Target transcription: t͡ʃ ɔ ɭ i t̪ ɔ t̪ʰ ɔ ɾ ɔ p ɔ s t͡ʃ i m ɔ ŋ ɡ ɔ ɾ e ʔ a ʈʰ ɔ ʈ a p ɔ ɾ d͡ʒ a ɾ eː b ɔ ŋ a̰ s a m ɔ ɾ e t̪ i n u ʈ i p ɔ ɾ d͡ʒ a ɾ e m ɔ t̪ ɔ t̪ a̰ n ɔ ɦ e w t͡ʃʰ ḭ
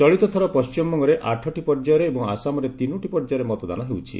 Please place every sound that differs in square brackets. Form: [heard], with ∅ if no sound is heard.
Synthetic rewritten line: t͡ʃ ɔ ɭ i t̪ ɔ t̪ʰ ɔ ɾ ɔ p ɔ s t͡ʃ i m ɔ ŋ ɡ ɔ ɾ e ʔ a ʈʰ ɔ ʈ [i] p ɔ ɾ d͡ʒ a ɾ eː b ɔ ŋ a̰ s a m ɔ ɾ e t̪ i n u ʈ i p ɔ ɾ d͡ʒ a ɾ e m ɔ t̪ ɔ [d̪] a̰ n ɔ ɦ e w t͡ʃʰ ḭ